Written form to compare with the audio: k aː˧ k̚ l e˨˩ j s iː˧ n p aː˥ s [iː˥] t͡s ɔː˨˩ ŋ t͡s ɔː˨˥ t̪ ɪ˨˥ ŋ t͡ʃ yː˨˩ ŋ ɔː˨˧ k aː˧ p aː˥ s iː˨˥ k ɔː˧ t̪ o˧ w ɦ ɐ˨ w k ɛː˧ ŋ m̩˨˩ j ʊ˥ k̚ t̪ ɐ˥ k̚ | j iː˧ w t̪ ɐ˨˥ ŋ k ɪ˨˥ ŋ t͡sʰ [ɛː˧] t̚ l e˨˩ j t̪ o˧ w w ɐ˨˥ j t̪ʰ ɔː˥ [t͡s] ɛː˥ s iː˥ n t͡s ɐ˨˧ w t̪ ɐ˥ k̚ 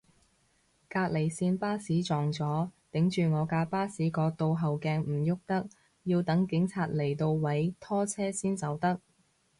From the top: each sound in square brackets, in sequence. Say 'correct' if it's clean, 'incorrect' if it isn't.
incorrect: iː˨˥, incorrect: aː˧, incorrect: t͡sʰ

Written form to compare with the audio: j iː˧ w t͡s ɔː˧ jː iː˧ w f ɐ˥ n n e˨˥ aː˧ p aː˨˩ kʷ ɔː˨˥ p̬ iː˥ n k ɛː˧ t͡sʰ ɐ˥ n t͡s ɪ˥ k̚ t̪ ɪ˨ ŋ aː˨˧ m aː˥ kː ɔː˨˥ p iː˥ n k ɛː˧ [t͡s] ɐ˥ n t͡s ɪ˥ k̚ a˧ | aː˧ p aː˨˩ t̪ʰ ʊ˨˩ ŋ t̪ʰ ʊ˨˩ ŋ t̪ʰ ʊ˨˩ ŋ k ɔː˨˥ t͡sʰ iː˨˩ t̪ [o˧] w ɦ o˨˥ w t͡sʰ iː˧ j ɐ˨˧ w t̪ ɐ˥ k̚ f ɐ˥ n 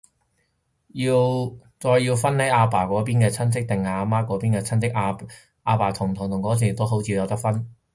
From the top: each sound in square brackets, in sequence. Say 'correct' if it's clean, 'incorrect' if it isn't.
incorrect: t͡sʰ, incorrect: o˥

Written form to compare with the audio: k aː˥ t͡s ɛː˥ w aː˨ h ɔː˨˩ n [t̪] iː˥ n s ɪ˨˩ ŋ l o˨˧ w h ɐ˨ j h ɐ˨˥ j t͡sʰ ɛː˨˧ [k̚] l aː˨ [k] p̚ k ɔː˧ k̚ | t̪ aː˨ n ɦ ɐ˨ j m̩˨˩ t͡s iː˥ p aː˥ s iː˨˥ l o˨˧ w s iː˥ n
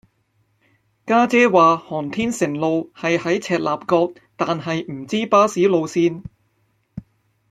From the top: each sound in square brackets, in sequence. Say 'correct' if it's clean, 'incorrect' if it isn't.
incorrect: t̪ʰ, incorrect: t̚, incorrect: none

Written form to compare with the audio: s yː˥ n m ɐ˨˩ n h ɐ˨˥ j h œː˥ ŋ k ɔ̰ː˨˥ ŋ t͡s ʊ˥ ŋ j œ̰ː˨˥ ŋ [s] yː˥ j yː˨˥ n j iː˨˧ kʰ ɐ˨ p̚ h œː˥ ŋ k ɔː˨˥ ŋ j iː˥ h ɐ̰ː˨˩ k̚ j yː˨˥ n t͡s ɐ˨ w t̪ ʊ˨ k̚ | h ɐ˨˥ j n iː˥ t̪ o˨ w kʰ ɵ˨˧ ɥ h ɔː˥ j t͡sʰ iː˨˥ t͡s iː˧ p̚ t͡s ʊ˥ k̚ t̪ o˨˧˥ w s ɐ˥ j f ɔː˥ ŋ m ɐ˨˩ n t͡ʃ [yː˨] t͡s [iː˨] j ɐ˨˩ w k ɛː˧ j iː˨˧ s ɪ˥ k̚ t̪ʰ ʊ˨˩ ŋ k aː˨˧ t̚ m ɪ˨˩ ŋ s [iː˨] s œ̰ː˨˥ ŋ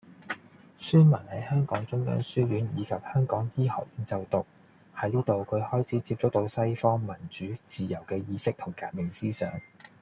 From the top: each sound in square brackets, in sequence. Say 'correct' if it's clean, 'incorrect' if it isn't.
correct, incorrect: yː˨˥, correct, incorrect: iː˥

